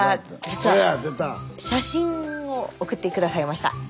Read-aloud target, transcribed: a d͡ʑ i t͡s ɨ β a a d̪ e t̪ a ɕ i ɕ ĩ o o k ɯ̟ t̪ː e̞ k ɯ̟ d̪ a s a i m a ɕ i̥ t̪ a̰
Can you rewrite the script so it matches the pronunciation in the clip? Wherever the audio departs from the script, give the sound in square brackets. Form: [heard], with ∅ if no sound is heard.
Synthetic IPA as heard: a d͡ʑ i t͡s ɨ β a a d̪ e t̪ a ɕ [a] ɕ ĩ o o k ɯ̟ t̪ː e̞ k ɯ̟ d̪ a s a i m a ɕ i̥ t̪ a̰